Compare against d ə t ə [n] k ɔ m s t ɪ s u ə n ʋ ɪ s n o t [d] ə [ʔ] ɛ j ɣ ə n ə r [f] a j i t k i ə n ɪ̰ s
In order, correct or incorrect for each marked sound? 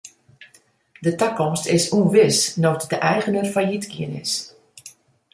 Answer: incorrect: none, correct, correct, correct

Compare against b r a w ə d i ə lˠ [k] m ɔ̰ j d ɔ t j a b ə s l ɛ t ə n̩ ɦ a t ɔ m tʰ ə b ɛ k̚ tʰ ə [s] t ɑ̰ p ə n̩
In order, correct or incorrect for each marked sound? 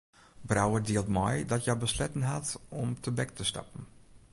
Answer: incorrect: t, correct

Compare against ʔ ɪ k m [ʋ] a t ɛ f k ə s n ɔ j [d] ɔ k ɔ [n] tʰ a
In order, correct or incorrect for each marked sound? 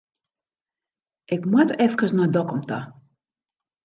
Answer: incorrect: w, correct, incorrect: m

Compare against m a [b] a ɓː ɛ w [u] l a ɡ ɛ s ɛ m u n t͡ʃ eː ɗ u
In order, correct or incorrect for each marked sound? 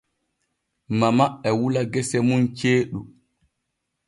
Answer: incorrect: m, correct

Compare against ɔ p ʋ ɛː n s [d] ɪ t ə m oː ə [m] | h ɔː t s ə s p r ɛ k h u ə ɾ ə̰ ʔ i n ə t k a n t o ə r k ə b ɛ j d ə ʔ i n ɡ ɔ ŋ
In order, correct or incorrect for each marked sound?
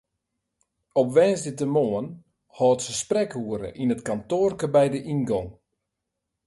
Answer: correct, incorrect: n

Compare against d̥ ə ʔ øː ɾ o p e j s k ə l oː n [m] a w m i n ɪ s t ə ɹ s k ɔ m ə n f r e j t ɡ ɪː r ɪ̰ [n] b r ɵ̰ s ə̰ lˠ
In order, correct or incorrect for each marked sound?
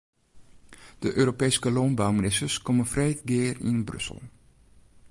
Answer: incorrect: b, correct

